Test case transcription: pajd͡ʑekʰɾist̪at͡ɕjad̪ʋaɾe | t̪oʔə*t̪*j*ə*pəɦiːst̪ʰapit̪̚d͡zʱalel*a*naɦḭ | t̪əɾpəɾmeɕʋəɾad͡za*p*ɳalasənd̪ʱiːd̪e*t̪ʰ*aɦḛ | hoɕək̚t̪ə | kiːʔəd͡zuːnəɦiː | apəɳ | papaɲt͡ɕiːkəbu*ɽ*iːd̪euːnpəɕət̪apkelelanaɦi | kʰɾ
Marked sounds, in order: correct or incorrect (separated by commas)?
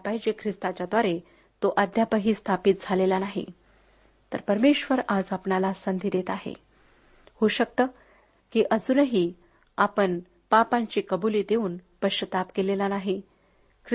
incorrect, incorrect, correct, correct, incorrect, incorrect